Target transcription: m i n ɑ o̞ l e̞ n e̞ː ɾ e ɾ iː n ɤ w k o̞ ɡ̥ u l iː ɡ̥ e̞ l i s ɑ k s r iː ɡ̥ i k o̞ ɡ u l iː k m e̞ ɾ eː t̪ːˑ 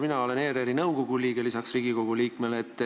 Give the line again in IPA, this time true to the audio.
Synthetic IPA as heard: m i n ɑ o̞ l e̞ n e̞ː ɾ e ɾ i n ɤ w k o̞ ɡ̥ u l iː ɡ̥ e̞ l i s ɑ k s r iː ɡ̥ i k o̞ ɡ u l iː k m e̞ l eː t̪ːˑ